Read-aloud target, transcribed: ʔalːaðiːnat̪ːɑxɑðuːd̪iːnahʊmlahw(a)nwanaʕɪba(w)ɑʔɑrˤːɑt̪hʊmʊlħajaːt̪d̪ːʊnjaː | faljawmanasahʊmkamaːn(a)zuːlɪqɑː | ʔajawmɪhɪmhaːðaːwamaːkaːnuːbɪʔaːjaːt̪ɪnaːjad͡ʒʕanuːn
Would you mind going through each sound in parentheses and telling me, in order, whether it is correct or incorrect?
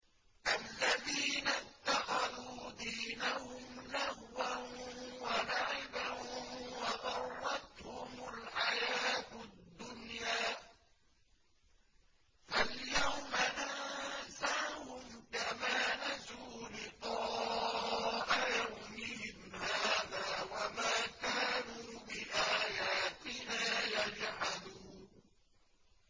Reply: correct, correct, correct

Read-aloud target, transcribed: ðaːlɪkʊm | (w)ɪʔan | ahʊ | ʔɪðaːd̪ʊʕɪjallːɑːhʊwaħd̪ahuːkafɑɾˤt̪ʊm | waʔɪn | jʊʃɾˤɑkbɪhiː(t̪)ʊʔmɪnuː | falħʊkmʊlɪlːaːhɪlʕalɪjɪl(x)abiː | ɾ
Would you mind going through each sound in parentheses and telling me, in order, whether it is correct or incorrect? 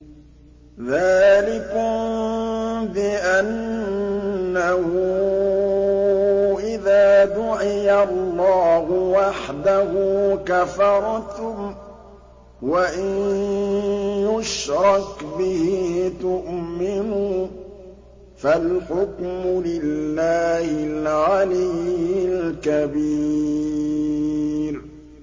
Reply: incorrect: b, correct, incorrect: k

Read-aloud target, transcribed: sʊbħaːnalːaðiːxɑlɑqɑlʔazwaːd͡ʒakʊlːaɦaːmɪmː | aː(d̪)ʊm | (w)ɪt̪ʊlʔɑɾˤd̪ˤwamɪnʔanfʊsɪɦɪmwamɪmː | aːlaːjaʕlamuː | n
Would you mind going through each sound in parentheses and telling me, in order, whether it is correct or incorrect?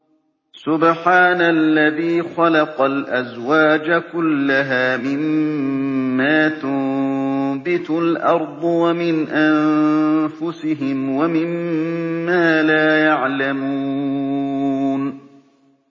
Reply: incorrect: t̪, incorrect: b

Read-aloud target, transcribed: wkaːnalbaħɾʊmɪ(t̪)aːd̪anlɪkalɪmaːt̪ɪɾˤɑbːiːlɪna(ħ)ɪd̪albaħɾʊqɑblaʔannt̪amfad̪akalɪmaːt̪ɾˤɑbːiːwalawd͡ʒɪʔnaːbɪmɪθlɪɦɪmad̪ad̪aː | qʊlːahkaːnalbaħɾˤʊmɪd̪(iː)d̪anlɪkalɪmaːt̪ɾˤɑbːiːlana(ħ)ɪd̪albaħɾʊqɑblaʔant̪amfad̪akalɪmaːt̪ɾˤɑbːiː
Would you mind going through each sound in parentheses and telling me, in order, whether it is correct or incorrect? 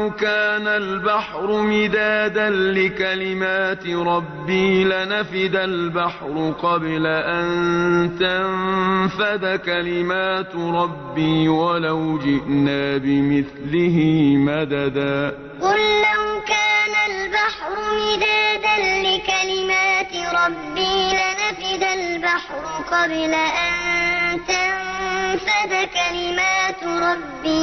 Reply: incorrect: d̪, incorrect: f, incorrect: aː, incorrect: f

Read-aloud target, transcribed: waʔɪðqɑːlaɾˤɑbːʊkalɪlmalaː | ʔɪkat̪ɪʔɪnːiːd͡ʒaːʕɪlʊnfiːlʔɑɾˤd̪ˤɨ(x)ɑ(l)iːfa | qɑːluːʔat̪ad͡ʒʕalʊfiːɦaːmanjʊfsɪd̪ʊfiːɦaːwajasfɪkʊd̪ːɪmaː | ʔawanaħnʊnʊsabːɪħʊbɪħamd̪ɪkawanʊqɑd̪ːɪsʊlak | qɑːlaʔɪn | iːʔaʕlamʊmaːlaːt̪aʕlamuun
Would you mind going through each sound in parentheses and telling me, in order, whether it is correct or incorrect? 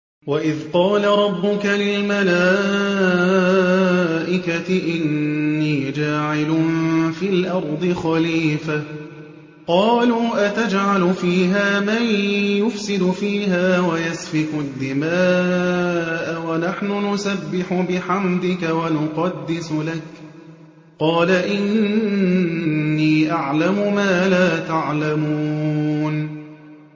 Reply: correct, correct

